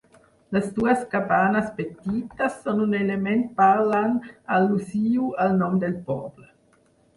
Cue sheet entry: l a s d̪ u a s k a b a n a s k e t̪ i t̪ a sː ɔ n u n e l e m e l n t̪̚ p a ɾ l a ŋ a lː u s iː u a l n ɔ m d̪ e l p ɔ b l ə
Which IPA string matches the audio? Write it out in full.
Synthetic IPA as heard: l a s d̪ u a s k a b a n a s p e t̪ i t̪ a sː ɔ n u n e l e m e n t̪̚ p a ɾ l a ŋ a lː u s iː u a l n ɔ m d̪ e l p ɔ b l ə